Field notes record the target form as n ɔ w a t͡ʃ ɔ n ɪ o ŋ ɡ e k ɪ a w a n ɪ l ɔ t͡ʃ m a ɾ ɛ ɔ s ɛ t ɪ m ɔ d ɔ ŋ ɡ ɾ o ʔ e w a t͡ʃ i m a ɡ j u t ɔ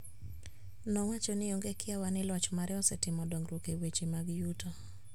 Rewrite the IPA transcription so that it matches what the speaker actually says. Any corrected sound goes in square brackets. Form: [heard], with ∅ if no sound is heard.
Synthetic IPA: n ɔ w a t͡ʃ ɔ n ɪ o ŋ ɡ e k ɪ a w a n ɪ l ɔ t͡ʃ m a ɾ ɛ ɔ s ɛ t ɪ m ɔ d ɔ ŋ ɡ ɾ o [k] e w [e] t͡ʃ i m a ɡ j u t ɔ